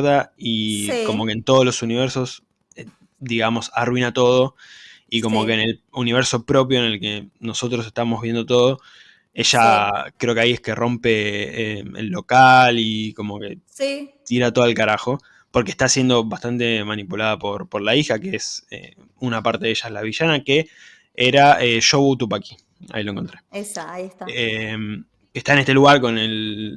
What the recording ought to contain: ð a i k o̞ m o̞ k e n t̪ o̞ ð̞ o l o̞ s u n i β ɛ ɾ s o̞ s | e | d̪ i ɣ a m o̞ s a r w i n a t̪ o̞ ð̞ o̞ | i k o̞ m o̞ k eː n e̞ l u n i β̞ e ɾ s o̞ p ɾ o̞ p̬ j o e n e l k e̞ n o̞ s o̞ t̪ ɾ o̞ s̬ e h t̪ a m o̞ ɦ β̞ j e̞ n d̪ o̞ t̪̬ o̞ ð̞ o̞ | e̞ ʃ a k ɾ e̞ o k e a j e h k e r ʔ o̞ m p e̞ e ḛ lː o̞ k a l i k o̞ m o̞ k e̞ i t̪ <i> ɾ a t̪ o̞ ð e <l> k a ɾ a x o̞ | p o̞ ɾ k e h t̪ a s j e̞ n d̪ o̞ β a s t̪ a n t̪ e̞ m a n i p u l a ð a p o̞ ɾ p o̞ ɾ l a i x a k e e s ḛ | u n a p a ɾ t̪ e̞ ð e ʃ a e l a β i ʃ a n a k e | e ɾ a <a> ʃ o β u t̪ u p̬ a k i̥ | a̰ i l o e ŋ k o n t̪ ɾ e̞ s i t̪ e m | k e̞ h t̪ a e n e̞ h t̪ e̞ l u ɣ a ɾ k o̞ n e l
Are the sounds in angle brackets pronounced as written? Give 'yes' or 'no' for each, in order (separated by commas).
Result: yes, yes, no